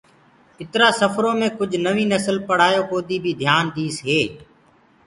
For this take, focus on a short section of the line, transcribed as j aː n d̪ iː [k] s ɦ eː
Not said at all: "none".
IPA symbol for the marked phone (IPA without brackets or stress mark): none